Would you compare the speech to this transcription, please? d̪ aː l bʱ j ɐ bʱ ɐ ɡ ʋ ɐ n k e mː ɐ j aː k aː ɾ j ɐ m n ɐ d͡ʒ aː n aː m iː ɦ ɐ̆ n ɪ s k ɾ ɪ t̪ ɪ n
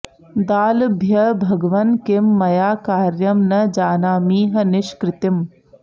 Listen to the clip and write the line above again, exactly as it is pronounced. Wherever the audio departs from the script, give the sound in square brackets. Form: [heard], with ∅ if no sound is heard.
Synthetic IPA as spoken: d̪ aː l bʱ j ɐ bʱ ɐ ɡ ʋ ɐ n k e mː ɐ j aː k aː ɾ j ɐ m n ɐ d͡ʒ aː n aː m iː ɦ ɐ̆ n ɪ [ʃ] k ɾ ɪ t̪ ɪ [m]